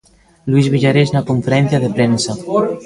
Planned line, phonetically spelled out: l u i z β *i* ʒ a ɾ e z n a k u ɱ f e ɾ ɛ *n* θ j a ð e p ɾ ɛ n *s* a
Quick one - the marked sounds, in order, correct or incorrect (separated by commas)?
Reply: correct, correct, correct